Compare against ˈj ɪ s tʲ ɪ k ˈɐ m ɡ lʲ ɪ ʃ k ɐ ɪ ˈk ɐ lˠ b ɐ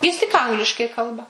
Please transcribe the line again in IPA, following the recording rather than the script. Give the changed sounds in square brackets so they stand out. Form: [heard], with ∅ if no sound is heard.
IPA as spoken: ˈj ɪ s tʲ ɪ k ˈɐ [ŋ] ɡ lʲ ɪ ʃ k ɐ ɪ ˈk ɐ lˠ b ɐ